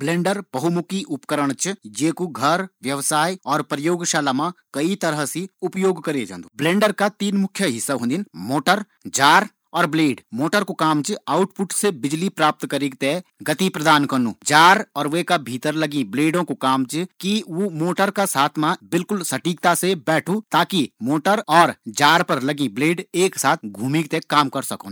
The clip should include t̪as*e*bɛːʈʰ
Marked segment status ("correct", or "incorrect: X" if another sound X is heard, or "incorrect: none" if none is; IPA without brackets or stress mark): correct